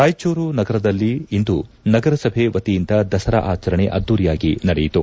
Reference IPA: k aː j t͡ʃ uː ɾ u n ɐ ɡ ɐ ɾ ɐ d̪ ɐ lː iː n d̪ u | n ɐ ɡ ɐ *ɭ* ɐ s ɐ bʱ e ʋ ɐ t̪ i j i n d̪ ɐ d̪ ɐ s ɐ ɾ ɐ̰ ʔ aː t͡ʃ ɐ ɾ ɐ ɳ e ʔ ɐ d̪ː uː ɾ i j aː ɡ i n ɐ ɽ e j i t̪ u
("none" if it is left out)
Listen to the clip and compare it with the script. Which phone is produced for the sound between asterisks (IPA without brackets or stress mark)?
ɾ